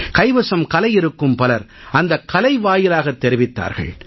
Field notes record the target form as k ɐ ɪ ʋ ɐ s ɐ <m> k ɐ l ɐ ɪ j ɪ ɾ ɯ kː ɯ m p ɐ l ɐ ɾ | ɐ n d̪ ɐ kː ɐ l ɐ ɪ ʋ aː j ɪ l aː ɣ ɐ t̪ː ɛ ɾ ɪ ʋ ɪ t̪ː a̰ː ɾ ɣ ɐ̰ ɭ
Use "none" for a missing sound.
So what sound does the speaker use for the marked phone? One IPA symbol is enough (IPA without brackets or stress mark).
m